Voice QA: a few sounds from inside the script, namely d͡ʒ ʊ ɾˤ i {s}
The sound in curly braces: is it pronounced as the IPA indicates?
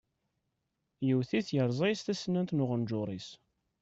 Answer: yes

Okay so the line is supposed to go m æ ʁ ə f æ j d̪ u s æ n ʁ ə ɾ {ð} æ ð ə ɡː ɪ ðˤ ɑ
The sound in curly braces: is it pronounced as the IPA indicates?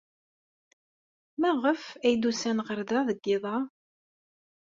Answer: yes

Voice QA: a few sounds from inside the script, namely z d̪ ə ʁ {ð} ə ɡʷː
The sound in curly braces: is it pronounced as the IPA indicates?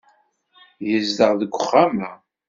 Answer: yes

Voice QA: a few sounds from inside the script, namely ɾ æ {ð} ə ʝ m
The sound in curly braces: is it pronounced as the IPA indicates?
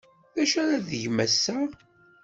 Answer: yes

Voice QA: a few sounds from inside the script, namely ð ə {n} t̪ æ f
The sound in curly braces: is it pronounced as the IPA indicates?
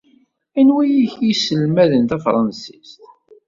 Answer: yes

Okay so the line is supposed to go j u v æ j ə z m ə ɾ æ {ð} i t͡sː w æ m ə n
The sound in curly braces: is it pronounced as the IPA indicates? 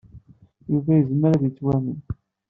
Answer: yes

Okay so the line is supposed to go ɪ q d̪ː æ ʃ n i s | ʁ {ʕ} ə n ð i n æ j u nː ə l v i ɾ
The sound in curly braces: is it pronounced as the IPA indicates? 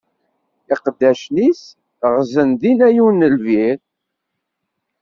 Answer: no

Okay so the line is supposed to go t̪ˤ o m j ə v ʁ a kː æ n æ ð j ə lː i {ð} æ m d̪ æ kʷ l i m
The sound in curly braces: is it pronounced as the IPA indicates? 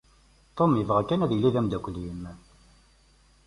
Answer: yes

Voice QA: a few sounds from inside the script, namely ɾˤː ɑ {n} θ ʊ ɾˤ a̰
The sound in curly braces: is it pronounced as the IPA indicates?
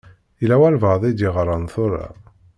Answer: yes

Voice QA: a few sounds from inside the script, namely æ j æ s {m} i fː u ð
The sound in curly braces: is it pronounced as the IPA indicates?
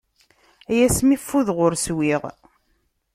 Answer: yes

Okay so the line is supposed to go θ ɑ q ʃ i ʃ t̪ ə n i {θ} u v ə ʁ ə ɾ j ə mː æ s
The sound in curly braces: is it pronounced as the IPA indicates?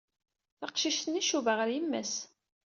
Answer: no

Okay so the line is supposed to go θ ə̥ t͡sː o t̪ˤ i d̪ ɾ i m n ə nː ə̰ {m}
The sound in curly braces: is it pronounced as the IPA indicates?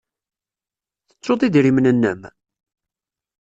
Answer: yes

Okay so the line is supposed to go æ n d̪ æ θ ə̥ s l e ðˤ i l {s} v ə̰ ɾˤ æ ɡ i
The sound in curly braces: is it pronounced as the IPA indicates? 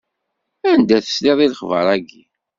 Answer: no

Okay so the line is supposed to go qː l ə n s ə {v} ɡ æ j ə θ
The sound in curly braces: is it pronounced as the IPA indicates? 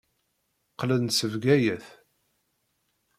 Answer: yes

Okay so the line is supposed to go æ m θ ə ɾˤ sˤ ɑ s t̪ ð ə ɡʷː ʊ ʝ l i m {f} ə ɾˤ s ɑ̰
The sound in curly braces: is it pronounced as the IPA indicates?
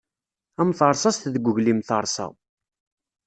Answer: no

